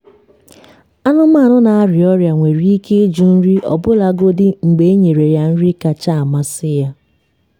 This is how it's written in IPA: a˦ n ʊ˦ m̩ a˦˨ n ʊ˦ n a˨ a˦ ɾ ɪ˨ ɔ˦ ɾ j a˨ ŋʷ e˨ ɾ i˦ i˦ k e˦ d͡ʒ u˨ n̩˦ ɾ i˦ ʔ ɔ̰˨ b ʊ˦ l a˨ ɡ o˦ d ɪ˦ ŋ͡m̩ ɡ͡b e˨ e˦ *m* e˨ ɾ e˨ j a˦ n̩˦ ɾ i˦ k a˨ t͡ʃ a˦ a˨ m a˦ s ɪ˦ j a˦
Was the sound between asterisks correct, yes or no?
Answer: no